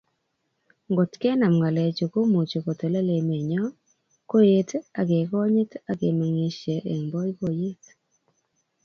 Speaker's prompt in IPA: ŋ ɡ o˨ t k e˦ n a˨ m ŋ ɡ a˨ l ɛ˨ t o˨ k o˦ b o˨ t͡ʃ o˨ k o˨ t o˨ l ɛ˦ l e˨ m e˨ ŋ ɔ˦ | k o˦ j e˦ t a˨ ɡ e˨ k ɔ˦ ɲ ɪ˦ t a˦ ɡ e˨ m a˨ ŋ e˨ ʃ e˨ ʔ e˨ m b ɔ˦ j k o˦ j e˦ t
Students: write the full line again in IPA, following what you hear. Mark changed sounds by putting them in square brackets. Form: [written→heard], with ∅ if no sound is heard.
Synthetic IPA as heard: ŋ ɡ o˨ t k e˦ n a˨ m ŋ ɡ a˨ l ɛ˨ [t→t͡ʃ] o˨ k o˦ [b→m] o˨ t͡ʃ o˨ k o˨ t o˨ l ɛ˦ l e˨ m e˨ [ŋ→ɲ] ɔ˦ | k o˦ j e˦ t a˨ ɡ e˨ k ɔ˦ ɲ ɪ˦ t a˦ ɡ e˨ m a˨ ŋ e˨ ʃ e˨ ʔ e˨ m b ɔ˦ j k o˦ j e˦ t

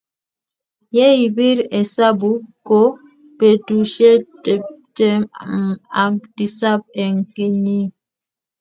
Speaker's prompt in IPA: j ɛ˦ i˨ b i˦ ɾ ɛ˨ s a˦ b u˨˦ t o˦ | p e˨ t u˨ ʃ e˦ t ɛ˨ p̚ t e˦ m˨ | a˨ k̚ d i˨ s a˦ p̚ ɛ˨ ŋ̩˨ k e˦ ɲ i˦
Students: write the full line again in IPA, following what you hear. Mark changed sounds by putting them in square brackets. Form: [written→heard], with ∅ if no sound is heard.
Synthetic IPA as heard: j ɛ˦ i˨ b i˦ ɾ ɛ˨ s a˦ b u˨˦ [t→k] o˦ | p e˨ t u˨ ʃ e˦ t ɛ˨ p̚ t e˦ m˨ | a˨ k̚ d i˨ s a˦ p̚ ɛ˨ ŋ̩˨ k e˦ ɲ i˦

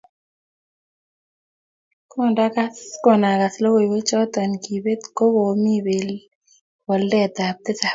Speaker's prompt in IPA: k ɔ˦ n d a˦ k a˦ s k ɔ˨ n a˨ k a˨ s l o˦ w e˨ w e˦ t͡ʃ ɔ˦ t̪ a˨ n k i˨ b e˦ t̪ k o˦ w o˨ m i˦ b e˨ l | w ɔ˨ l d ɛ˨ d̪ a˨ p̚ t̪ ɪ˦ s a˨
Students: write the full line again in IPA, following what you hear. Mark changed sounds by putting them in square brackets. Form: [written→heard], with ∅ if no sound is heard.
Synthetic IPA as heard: k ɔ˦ n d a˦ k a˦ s k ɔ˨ n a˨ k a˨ s l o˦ w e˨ w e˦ t͡ʃ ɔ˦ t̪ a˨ n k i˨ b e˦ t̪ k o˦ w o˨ m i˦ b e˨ l | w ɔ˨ l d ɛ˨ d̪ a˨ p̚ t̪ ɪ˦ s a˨

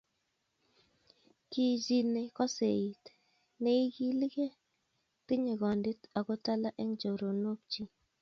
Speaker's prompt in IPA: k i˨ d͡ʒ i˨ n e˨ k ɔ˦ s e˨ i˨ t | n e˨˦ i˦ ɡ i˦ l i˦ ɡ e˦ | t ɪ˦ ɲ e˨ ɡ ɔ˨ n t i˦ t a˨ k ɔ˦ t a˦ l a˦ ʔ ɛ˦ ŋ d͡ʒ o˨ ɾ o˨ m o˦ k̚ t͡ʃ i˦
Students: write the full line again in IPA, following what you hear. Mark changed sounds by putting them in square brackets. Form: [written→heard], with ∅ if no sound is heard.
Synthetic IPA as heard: k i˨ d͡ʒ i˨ n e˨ k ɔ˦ s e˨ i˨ t | n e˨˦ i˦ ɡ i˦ l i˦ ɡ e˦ | t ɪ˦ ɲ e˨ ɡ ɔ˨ n [t→d] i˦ t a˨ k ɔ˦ t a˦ l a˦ ʔ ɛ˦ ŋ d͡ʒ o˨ ɾ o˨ [m→n] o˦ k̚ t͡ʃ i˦

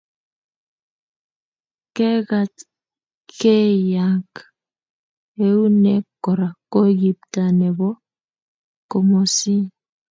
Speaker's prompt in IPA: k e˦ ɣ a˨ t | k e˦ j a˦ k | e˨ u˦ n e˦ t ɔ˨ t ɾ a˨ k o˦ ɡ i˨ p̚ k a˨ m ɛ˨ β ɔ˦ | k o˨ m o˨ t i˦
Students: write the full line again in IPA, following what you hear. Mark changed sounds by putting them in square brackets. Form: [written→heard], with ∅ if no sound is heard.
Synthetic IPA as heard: k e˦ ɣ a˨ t | k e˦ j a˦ k | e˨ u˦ n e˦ [t→k] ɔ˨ [t→∅] ɾ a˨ k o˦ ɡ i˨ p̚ [k→t] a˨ [m→n] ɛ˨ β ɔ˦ | k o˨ m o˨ [t→s] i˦

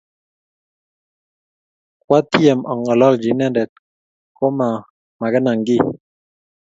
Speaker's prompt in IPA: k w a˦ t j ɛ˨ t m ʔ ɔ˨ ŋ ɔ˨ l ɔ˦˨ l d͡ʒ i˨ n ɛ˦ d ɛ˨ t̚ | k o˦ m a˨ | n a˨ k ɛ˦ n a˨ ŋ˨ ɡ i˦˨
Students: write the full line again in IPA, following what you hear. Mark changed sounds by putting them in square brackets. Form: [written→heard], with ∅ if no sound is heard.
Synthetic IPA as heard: k w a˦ t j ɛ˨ [t→∅] m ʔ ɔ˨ ŋ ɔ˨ l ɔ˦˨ l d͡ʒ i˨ n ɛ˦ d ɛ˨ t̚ | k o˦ m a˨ | [n→m] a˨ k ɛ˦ n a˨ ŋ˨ ɡ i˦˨

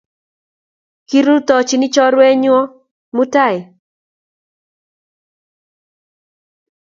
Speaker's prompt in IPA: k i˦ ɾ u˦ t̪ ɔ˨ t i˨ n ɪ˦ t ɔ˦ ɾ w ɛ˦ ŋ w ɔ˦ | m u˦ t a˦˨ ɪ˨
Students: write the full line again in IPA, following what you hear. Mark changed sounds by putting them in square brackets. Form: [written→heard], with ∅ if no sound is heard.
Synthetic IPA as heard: k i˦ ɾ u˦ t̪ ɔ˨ [t→t͡ʃ] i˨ n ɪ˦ [t→t͡ʃ] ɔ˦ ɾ w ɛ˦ [ŋ→ɲ] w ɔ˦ | m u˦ t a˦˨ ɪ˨

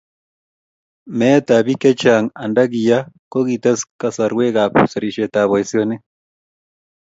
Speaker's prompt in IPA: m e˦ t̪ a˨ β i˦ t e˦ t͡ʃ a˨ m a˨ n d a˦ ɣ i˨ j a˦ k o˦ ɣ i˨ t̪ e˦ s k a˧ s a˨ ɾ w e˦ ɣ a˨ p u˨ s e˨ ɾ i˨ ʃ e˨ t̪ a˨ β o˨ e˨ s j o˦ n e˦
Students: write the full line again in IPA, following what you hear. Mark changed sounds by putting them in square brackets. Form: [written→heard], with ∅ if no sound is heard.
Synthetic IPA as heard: m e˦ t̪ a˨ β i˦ [t→k] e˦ t͡ʃ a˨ [m→ŋ] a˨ n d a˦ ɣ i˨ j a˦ k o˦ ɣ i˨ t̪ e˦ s k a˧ s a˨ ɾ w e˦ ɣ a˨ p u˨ s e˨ ɾ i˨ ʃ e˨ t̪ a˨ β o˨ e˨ s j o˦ n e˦

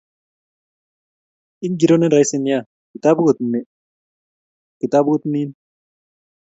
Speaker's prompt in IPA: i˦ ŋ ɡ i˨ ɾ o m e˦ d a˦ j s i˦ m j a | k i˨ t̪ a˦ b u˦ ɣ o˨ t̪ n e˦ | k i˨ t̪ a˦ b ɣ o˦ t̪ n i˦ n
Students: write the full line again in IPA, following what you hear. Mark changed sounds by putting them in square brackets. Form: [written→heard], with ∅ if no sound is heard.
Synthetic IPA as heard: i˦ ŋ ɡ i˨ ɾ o [m→n] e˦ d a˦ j s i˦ [m→n] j a | k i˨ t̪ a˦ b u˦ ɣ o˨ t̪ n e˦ | k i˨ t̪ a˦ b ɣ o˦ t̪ n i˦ n

